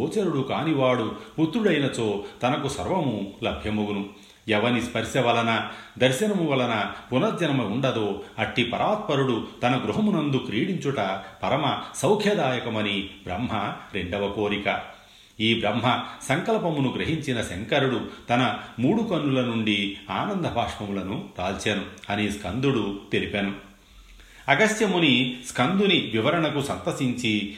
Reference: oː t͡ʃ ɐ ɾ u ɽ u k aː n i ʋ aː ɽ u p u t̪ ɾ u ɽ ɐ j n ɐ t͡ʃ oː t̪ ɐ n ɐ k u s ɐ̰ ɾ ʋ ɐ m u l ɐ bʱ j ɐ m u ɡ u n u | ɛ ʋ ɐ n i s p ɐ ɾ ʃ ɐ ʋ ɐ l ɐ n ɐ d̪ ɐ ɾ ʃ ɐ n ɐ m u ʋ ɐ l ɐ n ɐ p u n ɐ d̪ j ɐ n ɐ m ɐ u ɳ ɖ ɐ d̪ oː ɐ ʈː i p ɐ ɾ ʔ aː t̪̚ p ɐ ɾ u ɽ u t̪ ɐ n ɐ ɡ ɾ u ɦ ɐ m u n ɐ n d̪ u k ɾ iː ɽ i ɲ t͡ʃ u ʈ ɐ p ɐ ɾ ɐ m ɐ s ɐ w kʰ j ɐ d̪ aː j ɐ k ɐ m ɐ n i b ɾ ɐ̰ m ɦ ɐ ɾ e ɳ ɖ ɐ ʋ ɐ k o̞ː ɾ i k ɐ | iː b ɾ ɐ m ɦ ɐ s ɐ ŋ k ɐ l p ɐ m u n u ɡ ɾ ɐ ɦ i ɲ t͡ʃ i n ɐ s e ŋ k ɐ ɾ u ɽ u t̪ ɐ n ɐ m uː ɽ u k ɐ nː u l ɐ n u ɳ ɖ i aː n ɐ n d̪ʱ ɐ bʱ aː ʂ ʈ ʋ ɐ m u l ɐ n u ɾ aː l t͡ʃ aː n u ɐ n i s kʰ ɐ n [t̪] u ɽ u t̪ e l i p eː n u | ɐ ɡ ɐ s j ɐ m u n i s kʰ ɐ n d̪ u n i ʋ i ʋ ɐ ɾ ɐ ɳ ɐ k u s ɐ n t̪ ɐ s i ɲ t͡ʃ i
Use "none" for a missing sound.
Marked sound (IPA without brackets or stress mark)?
d̪